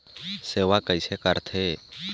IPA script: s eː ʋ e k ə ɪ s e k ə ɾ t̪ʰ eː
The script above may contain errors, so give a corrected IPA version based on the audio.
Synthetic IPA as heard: s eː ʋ a k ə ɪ s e k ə ɾ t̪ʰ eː